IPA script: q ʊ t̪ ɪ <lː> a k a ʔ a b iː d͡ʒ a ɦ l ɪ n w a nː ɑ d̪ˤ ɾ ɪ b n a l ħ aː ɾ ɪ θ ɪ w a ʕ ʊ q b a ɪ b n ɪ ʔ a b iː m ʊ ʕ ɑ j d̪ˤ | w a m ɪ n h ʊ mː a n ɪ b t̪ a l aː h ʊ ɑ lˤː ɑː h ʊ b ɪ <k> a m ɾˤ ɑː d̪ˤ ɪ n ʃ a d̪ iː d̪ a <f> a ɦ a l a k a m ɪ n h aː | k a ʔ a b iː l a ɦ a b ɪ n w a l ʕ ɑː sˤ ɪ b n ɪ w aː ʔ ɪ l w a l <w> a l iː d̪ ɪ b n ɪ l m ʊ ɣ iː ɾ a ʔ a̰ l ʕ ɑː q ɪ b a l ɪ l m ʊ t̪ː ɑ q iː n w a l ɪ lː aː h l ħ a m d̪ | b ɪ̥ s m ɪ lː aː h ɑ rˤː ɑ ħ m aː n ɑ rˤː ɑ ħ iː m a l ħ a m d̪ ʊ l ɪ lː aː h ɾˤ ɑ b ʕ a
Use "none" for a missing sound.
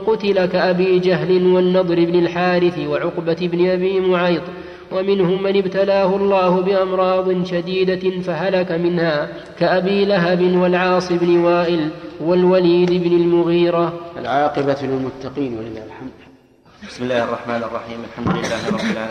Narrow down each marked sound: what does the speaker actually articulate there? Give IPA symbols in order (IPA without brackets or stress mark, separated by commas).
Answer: l, ʔ, f, w